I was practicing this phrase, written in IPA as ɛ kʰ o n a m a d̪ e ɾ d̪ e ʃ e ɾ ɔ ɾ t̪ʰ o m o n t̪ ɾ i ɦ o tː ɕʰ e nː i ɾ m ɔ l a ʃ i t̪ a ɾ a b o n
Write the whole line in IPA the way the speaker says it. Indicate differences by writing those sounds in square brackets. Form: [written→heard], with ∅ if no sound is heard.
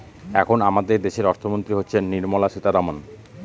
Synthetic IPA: ɛ kʰ o n a m a d̪ e ɾ d̪ e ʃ e ɾ ɔ ɾ t̪ʰ o m o n t̪ ɾ i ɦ o tː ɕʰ e nː i ɾ m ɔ l a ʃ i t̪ a ɾ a [b→m] o n